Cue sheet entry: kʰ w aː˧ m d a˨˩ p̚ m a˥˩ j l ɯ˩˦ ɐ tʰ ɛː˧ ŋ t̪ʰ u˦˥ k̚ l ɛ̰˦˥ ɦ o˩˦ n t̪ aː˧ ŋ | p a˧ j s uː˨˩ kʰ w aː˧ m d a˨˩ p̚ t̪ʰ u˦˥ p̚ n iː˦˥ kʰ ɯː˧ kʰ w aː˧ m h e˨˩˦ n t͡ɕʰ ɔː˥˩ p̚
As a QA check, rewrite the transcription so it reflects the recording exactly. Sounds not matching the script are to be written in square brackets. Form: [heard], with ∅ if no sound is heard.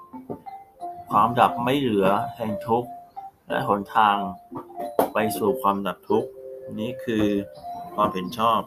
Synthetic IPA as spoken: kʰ w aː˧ m d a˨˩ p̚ m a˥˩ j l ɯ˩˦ ɐ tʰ ɛː˧ ŋ t̪ʰ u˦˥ k̚ l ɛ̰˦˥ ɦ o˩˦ n [t̪ʰ] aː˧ ŋ | p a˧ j s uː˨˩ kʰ w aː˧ m d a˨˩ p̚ t̪ʰ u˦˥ [k̚] n iː˦˥ kʰ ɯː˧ kʰ w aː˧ m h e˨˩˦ n t͡ɕʰ ɔː˥˩ p̚